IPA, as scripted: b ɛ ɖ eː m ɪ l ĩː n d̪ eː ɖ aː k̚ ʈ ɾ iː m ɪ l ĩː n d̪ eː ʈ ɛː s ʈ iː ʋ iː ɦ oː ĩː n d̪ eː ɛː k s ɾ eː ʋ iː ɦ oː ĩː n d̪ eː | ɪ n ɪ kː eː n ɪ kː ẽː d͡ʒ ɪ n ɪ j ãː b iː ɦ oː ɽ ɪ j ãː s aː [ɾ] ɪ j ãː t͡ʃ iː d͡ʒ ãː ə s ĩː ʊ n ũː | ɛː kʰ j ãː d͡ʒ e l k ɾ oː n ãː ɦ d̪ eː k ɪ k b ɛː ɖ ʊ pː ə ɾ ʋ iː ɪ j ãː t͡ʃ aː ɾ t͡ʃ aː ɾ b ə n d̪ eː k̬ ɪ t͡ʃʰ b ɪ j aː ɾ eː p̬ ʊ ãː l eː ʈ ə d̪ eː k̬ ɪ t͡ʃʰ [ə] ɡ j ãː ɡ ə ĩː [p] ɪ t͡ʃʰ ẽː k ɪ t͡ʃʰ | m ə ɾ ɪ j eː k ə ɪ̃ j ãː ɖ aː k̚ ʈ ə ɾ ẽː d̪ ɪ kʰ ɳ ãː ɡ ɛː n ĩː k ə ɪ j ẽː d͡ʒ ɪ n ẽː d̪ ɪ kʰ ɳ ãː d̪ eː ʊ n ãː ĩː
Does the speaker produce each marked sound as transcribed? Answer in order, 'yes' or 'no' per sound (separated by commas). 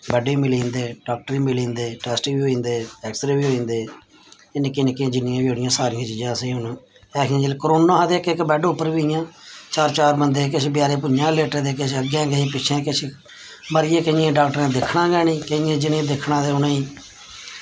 yes, yes, yes